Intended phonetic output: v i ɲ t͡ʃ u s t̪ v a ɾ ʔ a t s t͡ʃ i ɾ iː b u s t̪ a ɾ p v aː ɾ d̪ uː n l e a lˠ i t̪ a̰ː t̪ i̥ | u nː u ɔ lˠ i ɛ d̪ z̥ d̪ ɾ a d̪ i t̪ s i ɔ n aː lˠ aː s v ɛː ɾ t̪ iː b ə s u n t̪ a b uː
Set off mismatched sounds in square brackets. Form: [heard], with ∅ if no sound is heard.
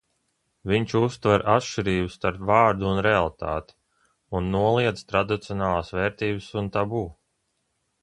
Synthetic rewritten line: v i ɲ t͡ʃ u s t̪ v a ɾ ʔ a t [ʃ] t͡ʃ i ɾ iː b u s t̪ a ɾ p v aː ɾ d̪ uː n [ɾ] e a lˠ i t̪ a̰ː t̪ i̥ | u nː u ɔ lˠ i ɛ d̪ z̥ [t̪] ɾ a d̪ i t̪ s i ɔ n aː lˠ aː s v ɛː ɾ t̪ iː b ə s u n t̪ a b uː